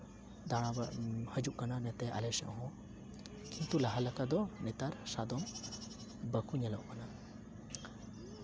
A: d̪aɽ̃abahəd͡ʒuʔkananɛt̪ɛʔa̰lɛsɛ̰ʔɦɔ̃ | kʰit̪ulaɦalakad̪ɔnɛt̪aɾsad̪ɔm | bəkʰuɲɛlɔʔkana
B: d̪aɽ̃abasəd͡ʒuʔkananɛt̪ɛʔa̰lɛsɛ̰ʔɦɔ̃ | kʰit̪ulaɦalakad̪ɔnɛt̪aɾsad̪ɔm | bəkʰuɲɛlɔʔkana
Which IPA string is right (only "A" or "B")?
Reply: A